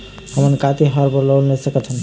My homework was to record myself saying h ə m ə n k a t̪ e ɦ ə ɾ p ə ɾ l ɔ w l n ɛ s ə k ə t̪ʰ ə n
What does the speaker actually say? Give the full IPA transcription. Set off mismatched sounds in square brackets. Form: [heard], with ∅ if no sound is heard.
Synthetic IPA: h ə m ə n k a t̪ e ɦ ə ɾ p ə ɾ l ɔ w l n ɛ s ə k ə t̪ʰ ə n